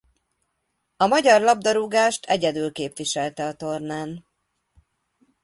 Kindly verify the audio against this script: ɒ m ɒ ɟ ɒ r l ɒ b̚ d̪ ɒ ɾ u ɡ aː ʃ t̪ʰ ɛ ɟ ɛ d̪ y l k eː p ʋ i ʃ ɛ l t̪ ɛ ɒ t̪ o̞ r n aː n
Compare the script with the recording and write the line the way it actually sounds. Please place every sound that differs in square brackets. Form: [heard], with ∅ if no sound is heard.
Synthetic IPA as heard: ɒ m ɒ ɟ ɒ r l ɒ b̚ d̪ ɒ ɾ u ɡ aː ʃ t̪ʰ ɛ ɟ ɛ d̪ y l k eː p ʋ i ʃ ɛ l t̪ ɛ ɒ t̪ o̞ r n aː n